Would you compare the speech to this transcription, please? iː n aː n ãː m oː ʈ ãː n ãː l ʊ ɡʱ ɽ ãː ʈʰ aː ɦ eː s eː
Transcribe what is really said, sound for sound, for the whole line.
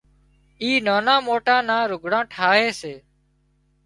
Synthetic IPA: iː n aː n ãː m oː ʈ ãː n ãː ɾ ʊ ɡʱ ɽ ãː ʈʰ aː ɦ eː s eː